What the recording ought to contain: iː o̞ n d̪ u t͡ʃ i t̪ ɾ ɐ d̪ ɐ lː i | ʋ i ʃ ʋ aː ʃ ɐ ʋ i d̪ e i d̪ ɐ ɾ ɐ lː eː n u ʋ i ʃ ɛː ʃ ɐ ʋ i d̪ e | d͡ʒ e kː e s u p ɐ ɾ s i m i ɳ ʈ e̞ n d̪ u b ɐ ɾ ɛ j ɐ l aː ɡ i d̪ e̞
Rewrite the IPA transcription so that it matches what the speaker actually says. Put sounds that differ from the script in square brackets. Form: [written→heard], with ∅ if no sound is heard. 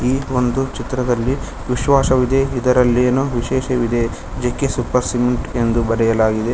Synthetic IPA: iː o̞ n d̪ u t͡ʃ i t̪ ɾ ɐ d̪ ɐ lː i | ʋ i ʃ ʋ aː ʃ ɐ ʋ i d̪ e i d̪ ɐ ɾ ɐ lː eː n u ʋ i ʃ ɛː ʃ ɐ ʋ i d̪ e | d͡ʒ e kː e s u p ɐ ɾ s i m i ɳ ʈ e̞ n d̪ u b ɐ ɾ ɛ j ɐ l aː ɡ i d̪ e̞

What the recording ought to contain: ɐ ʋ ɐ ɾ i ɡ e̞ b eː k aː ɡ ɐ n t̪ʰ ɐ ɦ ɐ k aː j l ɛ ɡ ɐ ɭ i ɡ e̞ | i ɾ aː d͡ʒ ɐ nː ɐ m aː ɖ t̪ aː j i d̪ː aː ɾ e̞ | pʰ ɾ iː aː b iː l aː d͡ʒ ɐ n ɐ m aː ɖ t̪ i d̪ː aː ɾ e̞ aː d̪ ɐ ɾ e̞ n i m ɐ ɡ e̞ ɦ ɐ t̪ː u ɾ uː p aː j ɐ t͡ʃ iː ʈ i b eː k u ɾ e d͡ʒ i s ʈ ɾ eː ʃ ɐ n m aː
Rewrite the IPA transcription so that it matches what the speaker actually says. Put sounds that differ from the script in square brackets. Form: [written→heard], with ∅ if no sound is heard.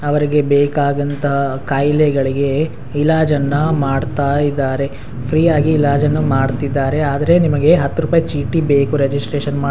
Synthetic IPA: ɐ ʋ ɐ ɾ i ɡ e̞ b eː k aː ɡ ɐ n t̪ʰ ɐ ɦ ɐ k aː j l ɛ ɡ ɐ ɭ i ɡ e̞ | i [ɾ→l] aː d͡ʒ ɐ nː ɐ m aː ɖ t̪ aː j i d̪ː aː ɾ e̞ | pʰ ɾ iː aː [b→ɡ] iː l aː d͡ʒ ɐ [n→nː] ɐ m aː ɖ t̪ i d̪ː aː ɾ e̞ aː d̪ ɐ ɾ e̞ n i m ɐ ɡ e̞ ɦ ɐ t̪ː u ɾ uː p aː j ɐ t͡ʃ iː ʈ i b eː k u ɾ e d͡ʒ i s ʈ ɾ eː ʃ ɐ n m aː

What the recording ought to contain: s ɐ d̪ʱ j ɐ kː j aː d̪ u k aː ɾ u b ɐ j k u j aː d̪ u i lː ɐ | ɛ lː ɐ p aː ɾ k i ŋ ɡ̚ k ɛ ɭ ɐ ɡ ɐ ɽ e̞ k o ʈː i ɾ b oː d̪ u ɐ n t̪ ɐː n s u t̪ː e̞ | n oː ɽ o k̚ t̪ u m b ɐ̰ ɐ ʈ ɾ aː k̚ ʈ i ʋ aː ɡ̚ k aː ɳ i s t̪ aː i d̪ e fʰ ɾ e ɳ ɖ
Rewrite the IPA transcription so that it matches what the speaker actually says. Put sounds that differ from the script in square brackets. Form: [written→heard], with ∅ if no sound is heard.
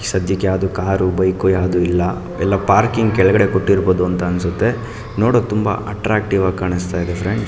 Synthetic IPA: s ɐ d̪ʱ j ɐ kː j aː d̪ u k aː ɾ u b ɐ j k u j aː d̪ u i lː ɐ | ɛ lː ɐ p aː ɾ k i ŋ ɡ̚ k ɛ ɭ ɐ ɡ ɐ ɽ e̞ k o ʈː i ɾ b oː d̪ u ɐ n t̪ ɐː n s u t̪ː e̞ | n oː ɽ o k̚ t̪ u m b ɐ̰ ɐ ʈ ɾ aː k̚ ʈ i ʋ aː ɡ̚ k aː ɳ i s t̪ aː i d̪ e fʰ ɾ e ɳ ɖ

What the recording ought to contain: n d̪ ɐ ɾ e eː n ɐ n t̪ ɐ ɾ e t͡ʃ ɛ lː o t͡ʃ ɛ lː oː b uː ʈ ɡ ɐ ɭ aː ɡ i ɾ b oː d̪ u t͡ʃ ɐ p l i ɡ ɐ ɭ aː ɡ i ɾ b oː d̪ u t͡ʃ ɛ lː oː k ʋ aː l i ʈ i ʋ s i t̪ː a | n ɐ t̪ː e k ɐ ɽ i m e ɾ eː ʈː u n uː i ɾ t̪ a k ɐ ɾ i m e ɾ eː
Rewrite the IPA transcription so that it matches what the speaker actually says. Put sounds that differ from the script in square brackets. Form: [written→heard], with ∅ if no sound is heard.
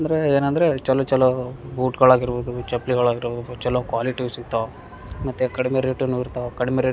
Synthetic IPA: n d̪ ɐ ɾ e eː n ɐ n [t̪→d̪] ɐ ɾ e t͡ʃ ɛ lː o t͡ʃ ɛ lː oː b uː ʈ ɡ ɐ ɭ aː ɡ i ɾ b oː d̪ u t͡ʃ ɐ p l i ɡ ɐ ɭ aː ɡ i ɾ b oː d̪ u t͡ʃ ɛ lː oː k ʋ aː l i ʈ i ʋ s i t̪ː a | [n→m] ɐ t̪ː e k ɐ ɽ i m e ɾ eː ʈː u n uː i ɾ t̪ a k ɐ [ɾ→ɽ] i m e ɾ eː

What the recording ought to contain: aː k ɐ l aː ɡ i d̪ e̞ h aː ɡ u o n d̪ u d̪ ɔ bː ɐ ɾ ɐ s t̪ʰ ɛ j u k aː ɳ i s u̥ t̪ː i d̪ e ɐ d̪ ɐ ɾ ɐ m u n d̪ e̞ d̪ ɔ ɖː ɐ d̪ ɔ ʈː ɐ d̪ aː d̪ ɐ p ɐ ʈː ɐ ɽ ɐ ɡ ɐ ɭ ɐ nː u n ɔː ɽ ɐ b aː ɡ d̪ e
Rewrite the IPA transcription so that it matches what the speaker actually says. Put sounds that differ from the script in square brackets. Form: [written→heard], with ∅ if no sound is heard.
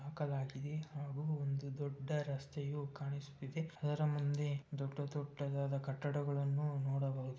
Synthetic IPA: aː k ɐ l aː ɡ i d̪ e̞ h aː ɡ u o n d̪ u d̪ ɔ [bː→ɖː] ɐ ɾ ɐ s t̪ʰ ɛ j u k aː ɳ i s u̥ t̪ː i d̪ e ɐ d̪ ɐ ɾ ɐ m u n d̪ e̞ d̪ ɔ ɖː ɐ [d̪→t̪] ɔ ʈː ɐ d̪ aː d̪ ɐ [p→k] ɐ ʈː ɐ ɽ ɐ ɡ ɐ ɭ ɐ nː u n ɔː ɽ ɐ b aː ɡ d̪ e

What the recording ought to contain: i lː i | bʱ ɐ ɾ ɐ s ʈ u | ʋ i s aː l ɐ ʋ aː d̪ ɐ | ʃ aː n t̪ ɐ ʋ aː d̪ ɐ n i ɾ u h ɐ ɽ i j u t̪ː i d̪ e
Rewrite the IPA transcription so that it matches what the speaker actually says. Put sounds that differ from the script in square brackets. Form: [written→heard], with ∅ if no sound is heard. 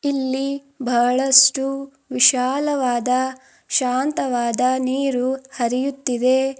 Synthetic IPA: i lː i | bʱ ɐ [ɾ→ɭ] ɐ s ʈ u | ʋ i [s→ʃ] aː l ɐ ʋ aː d̪ ɐ | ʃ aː n t̪ ɐ ʋ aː d̪ ɐ n [i→iː] ɾ u h ɐ [ɽ→ɾ] i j u t̪ː i d̪ e

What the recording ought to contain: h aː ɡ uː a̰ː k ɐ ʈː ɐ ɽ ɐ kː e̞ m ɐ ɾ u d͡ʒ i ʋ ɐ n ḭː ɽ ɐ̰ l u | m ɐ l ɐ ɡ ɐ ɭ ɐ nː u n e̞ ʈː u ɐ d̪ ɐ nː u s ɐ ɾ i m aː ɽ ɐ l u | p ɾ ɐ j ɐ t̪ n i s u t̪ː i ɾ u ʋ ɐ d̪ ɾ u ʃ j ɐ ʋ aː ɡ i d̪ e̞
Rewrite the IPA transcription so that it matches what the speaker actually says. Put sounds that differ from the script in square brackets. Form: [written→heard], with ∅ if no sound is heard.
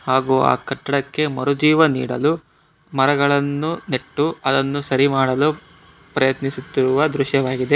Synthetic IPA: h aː ɡ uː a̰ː k ɐ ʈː ɐ ɽ ɐ kː e̞ m ɐ ɾ u d͡ʒ [i→iː] ʋ ɐ n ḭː ɽ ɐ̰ l u | m ɐ [l→ɾ] ɐ ɡ ɐ ɭ ɐ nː u n e̞ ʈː u ɐ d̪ ɐ nː u s ɐ ɾ i m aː ɽ ɐ l u | p ɾ ɐ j ɐ t̪ n i s u t̪ː i ɾ u ʋ ɐ d̪ ɾ u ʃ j ɐ ʋ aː ɡ i d̪ e̞

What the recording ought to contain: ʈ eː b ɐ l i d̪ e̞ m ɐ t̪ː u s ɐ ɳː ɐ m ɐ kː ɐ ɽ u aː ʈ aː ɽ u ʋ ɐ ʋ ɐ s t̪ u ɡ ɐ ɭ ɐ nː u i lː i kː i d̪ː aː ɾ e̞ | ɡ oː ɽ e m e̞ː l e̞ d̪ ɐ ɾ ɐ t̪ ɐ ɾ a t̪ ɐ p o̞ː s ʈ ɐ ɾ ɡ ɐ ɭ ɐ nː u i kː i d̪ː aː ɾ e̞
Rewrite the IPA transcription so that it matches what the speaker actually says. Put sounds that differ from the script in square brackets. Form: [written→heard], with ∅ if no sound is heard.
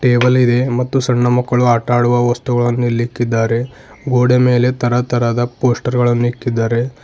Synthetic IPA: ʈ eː b ɐ l i d̪ e̞ m ɐ t̪ː u s ɐ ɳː ɐ m ɐ kː ɐ [ɽ→ɭ] u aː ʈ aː ɽ u ʋ ɐ ʋ ɐ s t̪ u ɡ ɐ ɭ ɐ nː u i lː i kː i d̪ː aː ɾ e̞ | ɡ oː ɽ e m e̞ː l e̞ [d̪→t̪] ɐ ɾ ɐ t̪ ɐ ɾ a [t̪→d̪] ɐ p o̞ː s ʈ ɐ ɾ ɡ ɐ ɭ ɐ nː u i kː i d̪ː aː ɾ e̞

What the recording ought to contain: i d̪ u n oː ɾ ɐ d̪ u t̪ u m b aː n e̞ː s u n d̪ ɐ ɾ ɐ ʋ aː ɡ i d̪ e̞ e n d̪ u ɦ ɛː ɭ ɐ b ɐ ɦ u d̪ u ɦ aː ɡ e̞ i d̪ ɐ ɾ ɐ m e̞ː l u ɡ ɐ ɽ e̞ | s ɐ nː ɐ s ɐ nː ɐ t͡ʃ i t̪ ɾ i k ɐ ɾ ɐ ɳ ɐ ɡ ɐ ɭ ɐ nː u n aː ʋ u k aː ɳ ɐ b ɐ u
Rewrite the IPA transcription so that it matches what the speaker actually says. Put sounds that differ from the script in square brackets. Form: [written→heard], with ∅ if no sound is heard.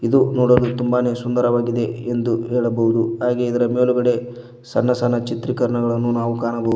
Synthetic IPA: i d̪ u n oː [ɾ→ɽ] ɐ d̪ u t̪ u m b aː n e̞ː s u n d̪ ɐ ɾ ɐ ʋ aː ɡ i d̪ e̞ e n d̪ u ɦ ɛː ɭ ɐ b ɐ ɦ u d̪ u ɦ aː ɡ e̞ i d̪ ɐ ɾ ɐ m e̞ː l u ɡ ɐ ɽ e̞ | s ɐ nː ɐ s ɐ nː ɐ t͡ʃ i t̪ ɾ i k ɐ ɾ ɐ ɳ ɐ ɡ ɐ ɭ ɐ nː u n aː ʋ u k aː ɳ ɐ b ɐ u

